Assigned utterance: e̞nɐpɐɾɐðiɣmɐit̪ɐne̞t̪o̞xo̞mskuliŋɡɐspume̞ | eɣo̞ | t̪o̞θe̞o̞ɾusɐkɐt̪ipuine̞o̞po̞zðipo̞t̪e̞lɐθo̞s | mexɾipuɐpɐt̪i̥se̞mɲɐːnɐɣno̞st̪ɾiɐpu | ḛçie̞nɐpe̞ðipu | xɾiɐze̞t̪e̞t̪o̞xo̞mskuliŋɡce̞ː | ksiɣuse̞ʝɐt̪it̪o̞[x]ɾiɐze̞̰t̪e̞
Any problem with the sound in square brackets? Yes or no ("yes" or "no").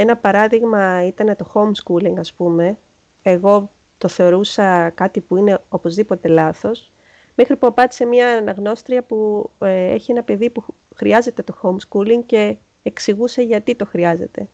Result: no